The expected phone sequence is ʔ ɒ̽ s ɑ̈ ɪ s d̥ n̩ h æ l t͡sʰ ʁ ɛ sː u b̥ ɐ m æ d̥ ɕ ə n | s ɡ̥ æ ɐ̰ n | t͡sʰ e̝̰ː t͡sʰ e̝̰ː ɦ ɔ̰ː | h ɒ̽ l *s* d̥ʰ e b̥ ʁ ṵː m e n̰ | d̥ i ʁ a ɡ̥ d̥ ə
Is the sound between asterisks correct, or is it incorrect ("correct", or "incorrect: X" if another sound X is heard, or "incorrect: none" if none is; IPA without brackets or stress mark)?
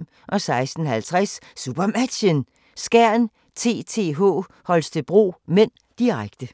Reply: correct